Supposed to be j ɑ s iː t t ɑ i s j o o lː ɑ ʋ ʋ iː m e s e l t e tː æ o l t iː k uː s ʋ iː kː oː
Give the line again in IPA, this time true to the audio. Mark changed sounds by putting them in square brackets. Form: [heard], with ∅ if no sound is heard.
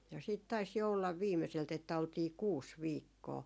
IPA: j ɑ s iː t t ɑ i s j o o lː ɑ ʋ ʋ iː m e s e l t e tː æ o l t iː k uː s ʋ iː kː oː